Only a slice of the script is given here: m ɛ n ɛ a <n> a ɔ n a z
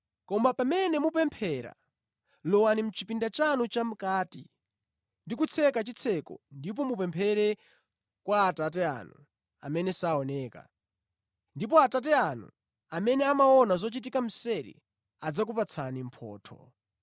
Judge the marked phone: incorrect: m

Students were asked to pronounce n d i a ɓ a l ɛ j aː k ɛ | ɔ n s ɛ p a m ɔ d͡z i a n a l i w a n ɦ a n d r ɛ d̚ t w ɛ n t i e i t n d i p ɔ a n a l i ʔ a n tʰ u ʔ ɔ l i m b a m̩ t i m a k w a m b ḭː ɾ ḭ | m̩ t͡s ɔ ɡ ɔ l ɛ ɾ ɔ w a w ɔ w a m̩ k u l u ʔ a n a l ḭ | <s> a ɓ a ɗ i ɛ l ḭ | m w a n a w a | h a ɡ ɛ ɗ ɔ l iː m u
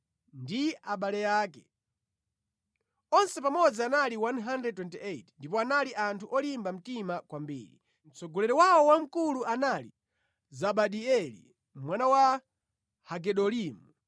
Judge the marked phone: incorrect: z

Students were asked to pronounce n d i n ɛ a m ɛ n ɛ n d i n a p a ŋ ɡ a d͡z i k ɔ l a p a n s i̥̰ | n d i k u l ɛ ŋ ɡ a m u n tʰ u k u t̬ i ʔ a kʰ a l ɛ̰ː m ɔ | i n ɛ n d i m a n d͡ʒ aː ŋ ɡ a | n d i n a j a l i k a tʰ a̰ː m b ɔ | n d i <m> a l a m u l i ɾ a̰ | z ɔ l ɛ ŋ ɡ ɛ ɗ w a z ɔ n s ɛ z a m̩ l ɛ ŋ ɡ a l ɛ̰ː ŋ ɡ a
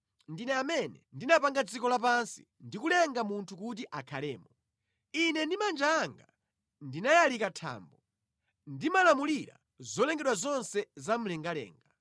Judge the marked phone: correct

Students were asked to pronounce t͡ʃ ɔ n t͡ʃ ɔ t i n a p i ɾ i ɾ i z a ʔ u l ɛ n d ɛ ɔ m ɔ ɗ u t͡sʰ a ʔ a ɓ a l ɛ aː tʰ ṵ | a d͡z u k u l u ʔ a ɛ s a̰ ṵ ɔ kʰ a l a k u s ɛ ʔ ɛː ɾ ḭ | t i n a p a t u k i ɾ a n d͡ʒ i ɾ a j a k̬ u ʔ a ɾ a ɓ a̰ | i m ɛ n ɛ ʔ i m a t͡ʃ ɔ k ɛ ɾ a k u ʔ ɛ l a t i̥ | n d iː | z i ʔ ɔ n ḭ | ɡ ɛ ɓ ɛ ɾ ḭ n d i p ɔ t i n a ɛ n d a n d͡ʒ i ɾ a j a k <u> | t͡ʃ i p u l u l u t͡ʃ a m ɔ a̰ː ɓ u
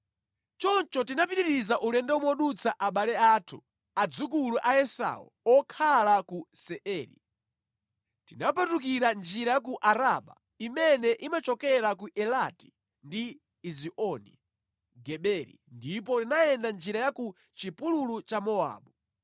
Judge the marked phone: correct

